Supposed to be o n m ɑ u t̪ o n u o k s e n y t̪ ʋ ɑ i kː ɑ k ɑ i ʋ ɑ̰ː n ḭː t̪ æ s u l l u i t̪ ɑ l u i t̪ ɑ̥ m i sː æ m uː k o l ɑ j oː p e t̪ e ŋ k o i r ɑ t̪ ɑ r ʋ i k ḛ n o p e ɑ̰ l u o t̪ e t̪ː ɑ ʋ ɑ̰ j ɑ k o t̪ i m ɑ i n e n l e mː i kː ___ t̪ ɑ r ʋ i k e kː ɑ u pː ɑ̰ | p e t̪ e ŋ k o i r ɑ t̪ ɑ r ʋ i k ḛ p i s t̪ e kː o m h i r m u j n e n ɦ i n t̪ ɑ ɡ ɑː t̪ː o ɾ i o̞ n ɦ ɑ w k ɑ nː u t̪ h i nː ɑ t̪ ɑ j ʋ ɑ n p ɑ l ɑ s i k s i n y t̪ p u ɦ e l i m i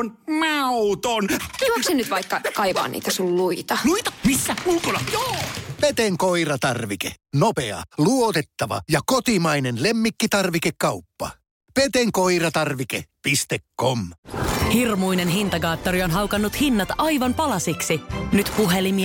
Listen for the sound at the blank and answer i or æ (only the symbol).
i